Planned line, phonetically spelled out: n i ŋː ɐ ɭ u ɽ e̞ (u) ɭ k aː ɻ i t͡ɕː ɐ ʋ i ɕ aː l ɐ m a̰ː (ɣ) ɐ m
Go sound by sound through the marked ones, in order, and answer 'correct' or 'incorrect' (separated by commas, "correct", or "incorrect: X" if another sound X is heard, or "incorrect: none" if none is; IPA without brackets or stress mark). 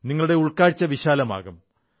correct, correct